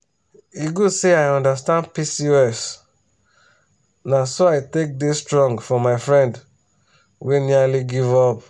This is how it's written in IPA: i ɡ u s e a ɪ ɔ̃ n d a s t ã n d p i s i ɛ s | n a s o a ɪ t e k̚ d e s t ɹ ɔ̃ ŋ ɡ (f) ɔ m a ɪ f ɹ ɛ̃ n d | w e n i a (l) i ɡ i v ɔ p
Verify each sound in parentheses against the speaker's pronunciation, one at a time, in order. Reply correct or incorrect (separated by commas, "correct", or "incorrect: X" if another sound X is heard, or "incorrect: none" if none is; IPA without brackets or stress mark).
correct, correct